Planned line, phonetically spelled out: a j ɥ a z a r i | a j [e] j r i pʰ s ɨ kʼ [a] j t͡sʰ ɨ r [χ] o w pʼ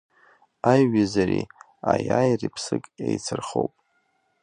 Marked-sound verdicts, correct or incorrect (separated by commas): incorrect, incorrect, correct